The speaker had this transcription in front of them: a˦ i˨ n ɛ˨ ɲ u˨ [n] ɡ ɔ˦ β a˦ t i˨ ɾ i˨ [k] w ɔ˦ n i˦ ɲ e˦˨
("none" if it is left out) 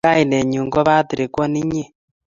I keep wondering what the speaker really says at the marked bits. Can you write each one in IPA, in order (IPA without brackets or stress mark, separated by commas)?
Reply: ŋ, k